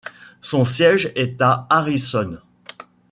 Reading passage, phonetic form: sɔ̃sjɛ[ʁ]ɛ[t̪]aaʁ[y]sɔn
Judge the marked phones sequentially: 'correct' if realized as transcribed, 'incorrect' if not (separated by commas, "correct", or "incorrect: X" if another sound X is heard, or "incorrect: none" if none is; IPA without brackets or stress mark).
incorrect: ʒ, correct, incorrect: i